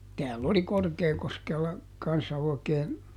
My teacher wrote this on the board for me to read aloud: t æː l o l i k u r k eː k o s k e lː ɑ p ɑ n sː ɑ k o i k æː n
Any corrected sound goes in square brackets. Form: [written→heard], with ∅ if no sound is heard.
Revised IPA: t æː [l→lː] o l i k [u→o] r k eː k o s k e lː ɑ [p→k] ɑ n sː ɑ [k→∅] o i k [æː→eː] n